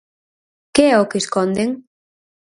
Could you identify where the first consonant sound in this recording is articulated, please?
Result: velar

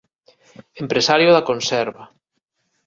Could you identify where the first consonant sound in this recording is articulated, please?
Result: labial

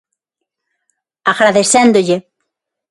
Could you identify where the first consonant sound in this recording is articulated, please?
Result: velar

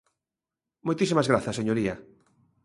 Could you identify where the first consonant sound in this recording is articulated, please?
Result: labial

